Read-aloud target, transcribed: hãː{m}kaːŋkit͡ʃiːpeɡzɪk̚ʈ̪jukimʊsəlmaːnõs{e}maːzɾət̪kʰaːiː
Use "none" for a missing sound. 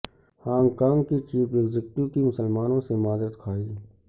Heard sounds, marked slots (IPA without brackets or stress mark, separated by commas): ŋ, e